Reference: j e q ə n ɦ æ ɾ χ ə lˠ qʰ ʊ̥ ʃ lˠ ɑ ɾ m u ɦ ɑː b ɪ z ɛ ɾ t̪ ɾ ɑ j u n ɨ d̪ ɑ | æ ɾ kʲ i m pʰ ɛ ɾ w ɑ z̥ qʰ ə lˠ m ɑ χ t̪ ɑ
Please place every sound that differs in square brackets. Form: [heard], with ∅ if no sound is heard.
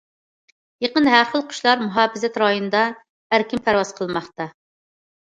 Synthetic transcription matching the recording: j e q ə n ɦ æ ɾ χ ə lˠ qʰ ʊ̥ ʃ lˠ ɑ ɾ m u ɦ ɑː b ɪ z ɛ [∅] t̪ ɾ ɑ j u n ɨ d̪ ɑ | æ ɾ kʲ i m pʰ [æ] ɾ w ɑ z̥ qʰ ə lˠ m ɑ χ t̪ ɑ